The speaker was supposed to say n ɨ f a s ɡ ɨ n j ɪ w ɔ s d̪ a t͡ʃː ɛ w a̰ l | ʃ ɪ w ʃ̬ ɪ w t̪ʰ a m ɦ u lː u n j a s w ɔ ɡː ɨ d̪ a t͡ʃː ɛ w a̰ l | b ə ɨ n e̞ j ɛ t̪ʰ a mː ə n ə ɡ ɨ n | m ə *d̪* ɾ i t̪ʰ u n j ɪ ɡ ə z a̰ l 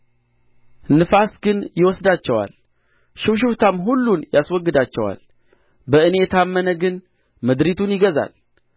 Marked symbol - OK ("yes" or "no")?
yes